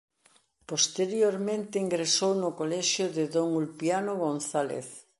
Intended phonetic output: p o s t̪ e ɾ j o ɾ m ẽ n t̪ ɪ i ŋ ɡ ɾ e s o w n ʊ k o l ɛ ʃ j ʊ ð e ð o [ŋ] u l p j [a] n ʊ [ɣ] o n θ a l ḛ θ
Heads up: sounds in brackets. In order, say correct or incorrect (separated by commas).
correct, correct, correct